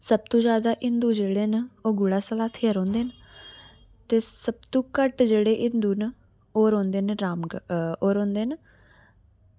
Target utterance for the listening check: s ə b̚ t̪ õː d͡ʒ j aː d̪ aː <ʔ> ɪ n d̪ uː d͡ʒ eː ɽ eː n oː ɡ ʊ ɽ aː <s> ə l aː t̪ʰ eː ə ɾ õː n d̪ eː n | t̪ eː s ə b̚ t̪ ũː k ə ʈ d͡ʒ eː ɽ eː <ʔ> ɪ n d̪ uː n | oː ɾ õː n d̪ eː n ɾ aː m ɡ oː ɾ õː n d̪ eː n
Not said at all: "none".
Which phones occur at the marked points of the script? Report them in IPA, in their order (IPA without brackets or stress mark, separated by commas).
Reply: ʔ, s, ʔ